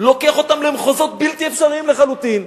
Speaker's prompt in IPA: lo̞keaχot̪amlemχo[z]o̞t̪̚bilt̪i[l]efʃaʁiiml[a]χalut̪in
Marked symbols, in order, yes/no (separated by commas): yes, no, no